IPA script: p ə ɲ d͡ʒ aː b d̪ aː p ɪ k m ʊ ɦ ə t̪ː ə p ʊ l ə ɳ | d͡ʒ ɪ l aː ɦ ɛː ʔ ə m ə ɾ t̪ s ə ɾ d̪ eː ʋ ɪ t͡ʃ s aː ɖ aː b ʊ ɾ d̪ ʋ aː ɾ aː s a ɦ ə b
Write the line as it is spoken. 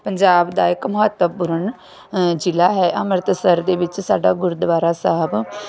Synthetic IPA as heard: p ə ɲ d͡ʒ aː b d̪ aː ɪ k m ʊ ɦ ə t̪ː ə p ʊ ɾ ə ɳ | d͡ʒ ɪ l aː ɦ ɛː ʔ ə m ə ɾ t̪ s ə ɾ d̪ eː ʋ ɪ t͡ʃ s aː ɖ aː ɡ ʊ ɾ d̪ ʋ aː ɾ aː s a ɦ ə b